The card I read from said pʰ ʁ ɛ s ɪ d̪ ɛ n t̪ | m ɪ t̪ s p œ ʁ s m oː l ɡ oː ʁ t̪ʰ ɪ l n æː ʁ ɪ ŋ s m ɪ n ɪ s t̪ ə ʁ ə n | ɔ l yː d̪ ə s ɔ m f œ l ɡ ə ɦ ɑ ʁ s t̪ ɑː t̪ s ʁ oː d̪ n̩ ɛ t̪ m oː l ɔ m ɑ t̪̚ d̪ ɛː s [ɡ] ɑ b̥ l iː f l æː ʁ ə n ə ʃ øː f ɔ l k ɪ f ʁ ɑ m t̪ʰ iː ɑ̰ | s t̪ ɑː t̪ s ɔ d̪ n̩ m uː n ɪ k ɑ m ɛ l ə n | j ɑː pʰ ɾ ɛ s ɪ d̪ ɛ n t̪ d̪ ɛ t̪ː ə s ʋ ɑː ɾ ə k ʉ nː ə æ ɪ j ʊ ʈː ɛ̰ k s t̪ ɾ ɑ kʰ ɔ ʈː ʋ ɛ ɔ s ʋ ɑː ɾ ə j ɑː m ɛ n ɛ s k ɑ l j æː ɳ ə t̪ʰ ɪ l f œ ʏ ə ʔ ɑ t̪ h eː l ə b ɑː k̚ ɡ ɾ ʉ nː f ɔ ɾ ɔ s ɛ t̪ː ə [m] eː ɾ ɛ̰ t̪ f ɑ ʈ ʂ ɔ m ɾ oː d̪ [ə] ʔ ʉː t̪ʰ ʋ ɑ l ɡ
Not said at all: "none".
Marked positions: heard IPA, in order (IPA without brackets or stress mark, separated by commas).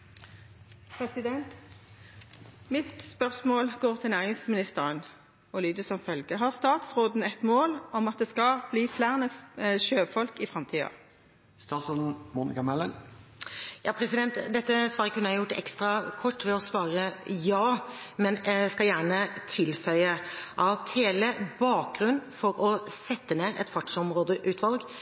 k, n, ə